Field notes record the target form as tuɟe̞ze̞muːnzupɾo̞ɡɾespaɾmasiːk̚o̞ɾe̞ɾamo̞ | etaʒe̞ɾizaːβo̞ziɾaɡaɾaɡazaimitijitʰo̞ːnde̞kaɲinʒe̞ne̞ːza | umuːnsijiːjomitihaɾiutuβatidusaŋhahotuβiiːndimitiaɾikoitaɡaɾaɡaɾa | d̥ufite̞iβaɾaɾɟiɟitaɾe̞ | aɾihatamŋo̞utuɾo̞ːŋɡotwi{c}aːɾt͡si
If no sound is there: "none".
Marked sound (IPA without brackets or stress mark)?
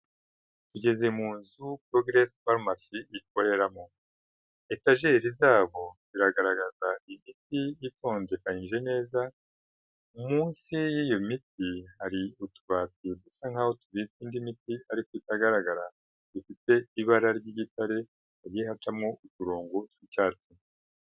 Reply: c